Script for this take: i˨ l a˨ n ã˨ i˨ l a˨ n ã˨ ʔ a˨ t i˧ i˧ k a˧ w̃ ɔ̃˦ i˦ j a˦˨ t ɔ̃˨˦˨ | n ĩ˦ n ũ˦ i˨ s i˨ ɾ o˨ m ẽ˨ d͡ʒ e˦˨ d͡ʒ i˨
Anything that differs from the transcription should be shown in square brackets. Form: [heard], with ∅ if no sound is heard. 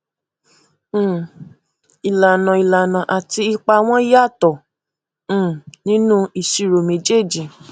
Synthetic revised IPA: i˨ l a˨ n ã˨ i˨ l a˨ n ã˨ ʔ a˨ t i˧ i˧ [k͡p] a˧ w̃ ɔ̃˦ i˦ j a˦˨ t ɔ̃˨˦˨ | n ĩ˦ n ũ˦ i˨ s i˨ ɾ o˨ m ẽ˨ d͡ʒ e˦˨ d͡ʒ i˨